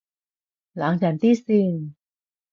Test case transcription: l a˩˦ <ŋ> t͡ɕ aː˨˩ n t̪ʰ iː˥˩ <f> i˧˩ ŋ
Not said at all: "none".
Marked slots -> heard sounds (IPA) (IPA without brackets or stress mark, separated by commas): ŋ, s